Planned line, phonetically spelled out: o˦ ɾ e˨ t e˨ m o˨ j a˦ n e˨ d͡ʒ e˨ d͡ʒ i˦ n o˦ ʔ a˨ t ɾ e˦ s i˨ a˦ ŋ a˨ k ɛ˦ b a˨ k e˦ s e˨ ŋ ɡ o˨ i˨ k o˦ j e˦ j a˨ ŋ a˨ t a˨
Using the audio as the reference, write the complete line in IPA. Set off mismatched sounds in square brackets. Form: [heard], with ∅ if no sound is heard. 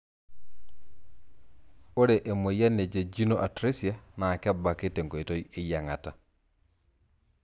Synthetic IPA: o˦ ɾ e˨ [ʔ] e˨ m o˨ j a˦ n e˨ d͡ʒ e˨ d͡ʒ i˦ n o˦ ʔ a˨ t ɾ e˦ s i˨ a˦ [n] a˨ k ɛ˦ b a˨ k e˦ [t] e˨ ŋ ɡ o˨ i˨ [t] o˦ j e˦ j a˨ ŋ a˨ t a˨